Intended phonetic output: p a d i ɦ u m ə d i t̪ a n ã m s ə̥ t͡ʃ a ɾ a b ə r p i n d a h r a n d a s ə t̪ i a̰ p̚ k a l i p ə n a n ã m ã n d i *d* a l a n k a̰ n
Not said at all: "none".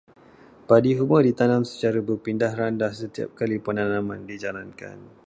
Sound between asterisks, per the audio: d͡ʒ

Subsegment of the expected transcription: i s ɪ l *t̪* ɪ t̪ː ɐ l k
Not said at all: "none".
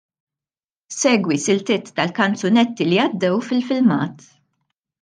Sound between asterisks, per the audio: t̪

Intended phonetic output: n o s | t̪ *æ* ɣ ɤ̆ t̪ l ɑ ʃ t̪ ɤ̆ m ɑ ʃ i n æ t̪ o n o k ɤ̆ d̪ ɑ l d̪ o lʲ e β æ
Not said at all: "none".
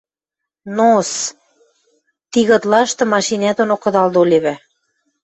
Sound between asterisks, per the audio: i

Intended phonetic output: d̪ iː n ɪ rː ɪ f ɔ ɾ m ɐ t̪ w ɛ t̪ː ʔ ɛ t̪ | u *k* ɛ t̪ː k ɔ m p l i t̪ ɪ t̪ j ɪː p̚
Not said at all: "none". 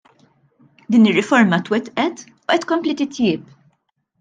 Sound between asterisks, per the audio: ʔ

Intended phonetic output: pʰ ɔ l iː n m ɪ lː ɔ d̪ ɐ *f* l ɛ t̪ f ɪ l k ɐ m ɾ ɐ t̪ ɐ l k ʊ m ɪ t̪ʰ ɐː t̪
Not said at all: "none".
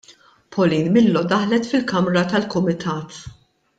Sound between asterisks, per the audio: ħ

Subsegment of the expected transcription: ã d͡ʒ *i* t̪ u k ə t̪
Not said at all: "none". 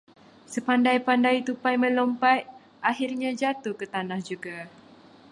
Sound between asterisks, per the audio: a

